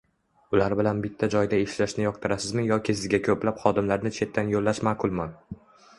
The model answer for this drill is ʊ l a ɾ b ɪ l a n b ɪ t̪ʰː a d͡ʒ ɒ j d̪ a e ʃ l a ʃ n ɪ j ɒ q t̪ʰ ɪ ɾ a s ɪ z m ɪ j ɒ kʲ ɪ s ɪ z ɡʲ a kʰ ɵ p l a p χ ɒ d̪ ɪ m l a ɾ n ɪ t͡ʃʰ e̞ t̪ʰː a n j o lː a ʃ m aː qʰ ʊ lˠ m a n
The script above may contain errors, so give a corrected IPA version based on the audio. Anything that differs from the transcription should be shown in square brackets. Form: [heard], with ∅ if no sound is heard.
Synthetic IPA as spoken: ʊ l a ɾ b ɪ l a n b ɪ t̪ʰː a d͡ʒ ɒ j d̪ a e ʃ l a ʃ n ɪ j ɒ q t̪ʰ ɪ ɾ a s ɪ z m ɪ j ɒ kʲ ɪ s ɪ z ɡʲ a kʰ ɵ p l a p χ ɒ d̪ ɪ m l a ɾ n ɪ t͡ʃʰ e̞ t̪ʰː a n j o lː a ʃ m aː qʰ ʊ lˠ m a n